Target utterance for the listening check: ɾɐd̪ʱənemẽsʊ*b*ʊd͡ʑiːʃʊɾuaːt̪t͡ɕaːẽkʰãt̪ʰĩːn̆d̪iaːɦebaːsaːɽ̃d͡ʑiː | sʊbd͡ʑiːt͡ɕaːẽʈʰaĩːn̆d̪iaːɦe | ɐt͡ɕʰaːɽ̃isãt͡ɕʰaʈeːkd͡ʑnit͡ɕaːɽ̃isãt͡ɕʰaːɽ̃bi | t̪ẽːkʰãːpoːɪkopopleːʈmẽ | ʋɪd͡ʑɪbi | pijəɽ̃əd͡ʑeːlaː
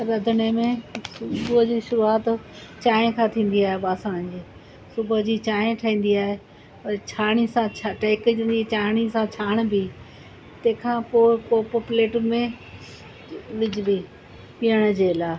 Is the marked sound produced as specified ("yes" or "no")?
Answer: yes